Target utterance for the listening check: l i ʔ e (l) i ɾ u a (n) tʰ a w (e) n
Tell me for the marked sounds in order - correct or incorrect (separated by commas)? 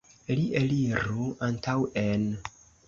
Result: correct, correct, correct